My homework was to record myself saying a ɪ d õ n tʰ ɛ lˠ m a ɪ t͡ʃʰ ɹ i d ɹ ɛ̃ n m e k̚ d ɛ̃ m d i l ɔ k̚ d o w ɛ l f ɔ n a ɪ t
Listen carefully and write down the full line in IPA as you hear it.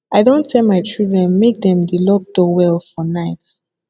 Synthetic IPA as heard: a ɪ d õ n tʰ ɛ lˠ m a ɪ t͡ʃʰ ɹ i d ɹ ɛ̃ n m e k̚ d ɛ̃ m d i l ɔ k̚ d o w ɛ l f ɔ n a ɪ t

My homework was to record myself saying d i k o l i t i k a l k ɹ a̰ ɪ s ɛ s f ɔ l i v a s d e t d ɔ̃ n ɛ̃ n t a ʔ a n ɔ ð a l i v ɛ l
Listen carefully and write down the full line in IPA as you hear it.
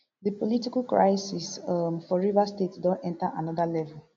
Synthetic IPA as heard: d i p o l i t i k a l k ɹ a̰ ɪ s i s f ɔ ɹ i v a s t e t d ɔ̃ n ɛ̃ n t a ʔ a n ɔ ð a l ɛ v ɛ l

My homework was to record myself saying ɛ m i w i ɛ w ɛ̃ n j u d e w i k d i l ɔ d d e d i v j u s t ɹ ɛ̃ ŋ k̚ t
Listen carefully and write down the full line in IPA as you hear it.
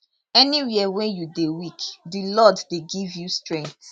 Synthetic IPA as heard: ɛ n i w i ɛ w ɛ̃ n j u d e w i k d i l ɔ d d e ɡ i v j u s t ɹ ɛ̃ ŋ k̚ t

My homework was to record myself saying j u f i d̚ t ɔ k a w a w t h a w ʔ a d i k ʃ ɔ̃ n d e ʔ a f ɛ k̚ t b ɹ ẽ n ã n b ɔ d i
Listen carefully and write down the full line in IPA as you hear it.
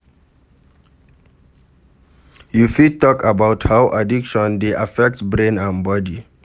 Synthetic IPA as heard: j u f i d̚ t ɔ k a b a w t h a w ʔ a d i k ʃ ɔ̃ n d e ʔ a f ɛ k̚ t b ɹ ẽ n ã n b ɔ d i

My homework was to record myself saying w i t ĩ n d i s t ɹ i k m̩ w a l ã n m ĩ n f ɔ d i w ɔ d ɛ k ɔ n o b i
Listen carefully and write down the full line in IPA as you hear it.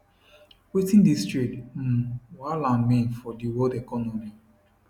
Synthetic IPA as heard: w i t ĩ n d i s t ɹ i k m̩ w a l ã n m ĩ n f ɔ d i w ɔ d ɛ k ɔ n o m i

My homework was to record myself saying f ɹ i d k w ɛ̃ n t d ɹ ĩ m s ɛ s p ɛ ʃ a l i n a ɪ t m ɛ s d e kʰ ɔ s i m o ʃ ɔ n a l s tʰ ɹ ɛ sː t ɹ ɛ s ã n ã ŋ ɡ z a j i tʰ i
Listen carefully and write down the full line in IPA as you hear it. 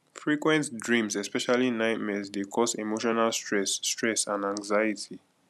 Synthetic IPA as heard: f ɹ i k w ɛ̃ n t d ɹ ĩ m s ɛ s p ɛ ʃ a l i n a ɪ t m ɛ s d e kʰ ɔ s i m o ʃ ɔ n a l s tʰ ɹ ɛ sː t ɹ ɛ s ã n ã ŋ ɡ z a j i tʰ i

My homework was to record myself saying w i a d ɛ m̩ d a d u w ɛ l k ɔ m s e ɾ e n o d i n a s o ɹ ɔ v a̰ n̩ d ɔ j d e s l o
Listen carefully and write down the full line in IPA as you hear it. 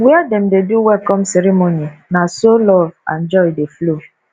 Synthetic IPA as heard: w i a d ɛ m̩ d e d u w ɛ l k ɔ m s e ɾ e m o n i n a s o l ɔ v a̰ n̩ d͡ʒ ɔ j d e f l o

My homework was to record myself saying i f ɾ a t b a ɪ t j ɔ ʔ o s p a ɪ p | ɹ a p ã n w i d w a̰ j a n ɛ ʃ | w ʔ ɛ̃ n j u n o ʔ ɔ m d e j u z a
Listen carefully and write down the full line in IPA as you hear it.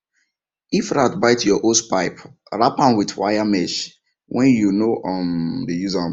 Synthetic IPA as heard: i f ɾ a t b a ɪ t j ɔ ʔ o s p a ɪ p | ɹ a p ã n w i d w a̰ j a m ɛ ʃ | w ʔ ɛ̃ n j u n o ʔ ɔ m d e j u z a

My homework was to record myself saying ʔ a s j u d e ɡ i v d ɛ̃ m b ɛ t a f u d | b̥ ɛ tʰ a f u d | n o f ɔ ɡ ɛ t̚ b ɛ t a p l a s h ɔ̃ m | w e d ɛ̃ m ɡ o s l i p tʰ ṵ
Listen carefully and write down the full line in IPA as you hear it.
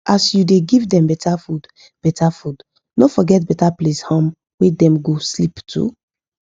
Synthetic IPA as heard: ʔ a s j u d e ɡ i v d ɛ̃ m b ɛ t a f u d | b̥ ɛ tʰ a f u d | n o f ɔ ɡ ɛ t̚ b ɛ t a p l e s h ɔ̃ m | w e d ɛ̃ m ɡ o s l i p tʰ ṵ

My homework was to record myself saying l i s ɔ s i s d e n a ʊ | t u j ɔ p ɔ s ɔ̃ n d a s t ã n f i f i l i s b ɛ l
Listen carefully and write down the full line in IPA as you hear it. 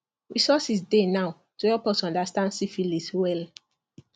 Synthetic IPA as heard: ɹ i s ɔ s i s d e n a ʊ | t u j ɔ p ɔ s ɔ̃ n d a s t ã n s i f i l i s w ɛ l

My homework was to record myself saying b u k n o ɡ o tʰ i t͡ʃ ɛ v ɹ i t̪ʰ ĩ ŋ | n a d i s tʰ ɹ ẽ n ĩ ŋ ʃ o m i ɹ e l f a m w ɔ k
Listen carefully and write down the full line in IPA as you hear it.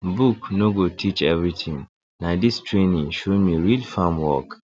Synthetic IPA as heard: b u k n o ɡ o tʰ i t͡ʃ ɛ v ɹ i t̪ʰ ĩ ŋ | n a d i s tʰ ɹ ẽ n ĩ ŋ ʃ o m i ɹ i l f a m w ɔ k

